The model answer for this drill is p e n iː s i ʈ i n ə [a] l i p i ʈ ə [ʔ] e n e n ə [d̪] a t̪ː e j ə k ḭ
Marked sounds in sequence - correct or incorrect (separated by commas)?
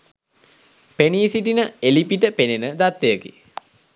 incorrect, incorrect, correct